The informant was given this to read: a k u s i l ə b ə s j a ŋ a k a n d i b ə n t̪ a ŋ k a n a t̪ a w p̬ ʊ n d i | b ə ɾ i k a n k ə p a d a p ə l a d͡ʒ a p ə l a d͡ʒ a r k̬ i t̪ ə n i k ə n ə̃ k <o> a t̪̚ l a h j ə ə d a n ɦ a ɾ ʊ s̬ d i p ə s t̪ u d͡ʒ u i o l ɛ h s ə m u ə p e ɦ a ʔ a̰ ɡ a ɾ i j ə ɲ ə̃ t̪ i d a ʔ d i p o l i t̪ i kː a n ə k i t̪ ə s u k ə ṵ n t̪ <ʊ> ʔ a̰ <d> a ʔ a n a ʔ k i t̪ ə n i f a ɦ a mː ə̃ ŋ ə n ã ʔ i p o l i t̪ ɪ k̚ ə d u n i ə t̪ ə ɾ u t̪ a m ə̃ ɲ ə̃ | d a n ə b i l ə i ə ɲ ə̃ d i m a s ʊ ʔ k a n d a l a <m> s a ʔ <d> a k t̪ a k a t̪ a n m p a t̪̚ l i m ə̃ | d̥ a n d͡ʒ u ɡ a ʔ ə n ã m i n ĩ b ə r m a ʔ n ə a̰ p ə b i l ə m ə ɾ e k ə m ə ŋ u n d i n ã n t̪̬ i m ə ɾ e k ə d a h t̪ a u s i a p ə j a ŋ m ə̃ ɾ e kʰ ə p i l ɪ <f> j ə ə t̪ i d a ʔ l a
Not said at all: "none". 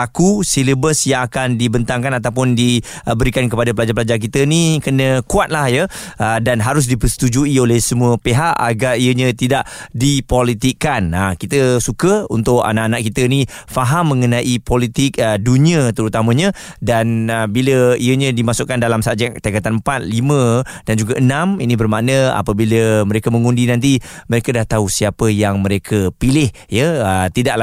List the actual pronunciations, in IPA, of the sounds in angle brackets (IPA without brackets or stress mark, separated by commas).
u, ʊ, n, m, d͡ʒ, h